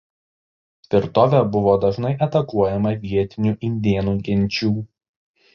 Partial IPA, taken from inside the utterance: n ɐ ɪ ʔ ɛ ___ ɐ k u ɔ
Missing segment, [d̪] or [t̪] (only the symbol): t̪